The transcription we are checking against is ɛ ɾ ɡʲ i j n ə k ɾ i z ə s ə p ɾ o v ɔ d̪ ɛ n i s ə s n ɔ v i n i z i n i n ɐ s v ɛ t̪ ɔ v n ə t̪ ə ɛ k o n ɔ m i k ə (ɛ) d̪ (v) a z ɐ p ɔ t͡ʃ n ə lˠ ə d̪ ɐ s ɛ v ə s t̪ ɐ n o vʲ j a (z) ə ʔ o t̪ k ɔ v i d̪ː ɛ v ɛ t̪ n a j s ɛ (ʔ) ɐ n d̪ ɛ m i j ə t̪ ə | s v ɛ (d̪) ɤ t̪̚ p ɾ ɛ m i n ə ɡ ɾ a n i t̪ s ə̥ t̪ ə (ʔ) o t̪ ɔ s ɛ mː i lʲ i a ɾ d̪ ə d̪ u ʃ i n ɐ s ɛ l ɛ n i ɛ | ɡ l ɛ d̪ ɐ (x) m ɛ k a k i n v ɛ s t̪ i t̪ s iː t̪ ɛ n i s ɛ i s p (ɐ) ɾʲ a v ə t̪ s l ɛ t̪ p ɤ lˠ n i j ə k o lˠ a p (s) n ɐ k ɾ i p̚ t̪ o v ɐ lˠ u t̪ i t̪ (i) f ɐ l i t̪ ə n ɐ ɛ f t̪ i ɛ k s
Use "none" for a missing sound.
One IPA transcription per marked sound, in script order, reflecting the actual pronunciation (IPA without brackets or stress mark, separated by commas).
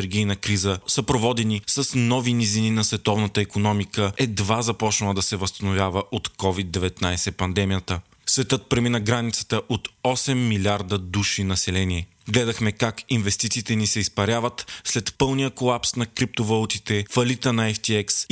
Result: ɛ, v, v, p, t̪, ʔ, x, ɐ, s, ɛ